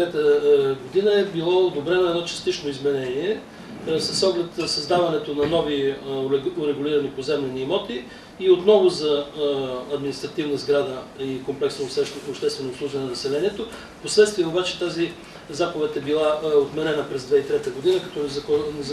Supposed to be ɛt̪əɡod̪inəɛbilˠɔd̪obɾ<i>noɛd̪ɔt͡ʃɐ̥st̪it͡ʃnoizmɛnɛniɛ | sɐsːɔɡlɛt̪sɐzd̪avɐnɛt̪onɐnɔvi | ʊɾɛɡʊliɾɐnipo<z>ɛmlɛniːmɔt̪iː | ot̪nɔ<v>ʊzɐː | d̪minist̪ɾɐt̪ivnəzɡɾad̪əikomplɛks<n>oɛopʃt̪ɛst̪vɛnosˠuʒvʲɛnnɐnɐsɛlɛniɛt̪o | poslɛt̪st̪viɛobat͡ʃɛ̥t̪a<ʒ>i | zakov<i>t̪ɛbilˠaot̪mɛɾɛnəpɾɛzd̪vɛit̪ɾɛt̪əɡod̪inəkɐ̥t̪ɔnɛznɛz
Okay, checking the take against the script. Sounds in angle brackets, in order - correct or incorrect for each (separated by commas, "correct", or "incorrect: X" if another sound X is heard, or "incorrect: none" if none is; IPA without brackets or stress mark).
incorrect: ɛ, correct, correct, correct, incorrect: z, incorrect: ɛ